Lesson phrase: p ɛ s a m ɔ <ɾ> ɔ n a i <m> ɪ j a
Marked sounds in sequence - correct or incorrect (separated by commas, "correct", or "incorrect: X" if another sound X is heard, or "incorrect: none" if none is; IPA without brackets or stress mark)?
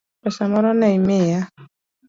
correct, correct